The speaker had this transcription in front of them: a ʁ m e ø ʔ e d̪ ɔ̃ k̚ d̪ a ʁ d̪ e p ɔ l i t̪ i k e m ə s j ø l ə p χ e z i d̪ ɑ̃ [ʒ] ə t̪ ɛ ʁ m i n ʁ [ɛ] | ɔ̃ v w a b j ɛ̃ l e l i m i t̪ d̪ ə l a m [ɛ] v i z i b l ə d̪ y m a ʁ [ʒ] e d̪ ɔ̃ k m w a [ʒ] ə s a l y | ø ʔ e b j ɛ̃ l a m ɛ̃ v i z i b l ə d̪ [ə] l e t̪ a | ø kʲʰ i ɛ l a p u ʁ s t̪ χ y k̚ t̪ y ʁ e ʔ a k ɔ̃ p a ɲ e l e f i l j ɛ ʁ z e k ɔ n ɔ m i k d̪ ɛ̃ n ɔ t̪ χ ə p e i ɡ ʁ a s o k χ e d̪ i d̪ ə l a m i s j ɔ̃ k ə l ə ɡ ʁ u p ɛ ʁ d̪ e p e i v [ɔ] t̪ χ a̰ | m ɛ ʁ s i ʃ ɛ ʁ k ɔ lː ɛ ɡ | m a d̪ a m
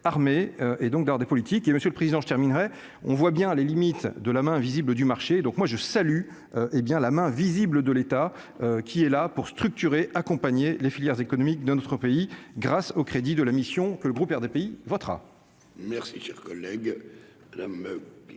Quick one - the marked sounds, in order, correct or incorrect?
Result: correct, correct, incorrect: ɛ̃, incorrect: ʃ, correct, correct, correct

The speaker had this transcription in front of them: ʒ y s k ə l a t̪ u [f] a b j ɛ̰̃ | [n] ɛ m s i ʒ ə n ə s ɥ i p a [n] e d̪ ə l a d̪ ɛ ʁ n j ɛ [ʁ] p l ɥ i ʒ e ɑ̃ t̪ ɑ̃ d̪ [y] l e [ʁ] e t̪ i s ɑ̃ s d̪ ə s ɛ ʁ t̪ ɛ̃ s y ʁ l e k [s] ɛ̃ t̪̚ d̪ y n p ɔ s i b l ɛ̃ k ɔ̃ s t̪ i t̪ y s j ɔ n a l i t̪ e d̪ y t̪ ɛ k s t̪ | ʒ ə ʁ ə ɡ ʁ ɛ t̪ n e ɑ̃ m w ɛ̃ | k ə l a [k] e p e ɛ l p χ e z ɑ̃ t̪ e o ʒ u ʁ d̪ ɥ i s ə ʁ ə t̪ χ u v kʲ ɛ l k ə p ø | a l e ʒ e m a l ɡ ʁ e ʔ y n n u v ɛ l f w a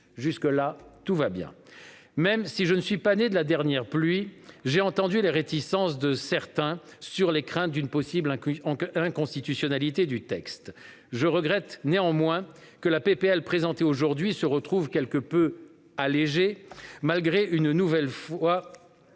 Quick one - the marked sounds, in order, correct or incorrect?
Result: incorrect: v, incorrect: m, correct, correct, correct, correct, incorrect: χ, incorrect: p

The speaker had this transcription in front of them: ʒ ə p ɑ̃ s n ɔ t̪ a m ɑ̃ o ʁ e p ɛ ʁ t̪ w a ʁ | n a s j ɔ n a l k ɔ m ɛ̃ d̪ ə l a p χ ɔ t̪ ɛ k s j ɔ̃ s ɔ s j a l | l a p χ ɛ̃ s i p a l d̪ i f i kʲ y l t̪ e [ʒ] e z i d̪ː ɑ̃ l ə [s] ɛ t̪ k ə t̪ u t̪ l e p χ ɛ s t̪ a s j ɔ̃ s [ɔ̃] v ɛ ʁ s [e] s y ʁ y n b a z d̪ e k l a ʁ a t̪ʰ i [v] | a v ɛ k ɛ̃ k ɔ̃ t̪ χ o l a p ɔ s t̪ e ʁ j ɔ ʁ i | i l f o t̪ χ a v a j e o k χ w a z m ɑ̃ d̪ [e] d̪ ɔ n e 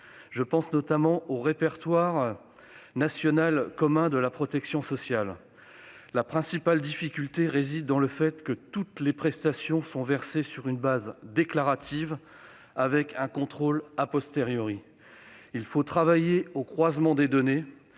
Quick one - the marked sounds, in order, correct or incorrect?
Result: incorrect: ʁ, incorrect: f, correct, correct, correct, correct

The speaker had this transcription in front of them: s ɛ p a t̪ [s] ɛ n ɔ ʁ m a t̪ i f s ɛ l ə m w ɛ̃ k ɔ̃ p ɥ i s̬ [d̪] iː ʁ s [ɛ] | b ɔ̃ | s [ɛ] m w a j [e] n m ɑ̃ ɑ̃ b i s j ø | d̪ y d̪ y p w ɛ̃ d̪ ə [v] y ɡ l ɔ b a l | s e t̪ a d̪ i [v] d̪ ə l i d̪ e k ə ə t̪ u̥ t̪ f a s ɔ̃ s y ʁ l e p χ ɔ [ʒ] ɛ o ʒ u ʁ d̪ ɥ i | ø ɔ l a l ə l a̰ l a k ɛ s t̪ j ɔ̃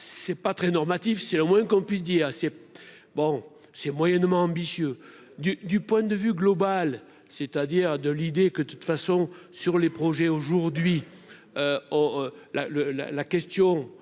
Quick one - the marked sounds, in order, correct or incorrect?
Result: incorrect: χ, correct, correct, correct, incorrect: ɛ, correct, incorrect: ʁ, correct

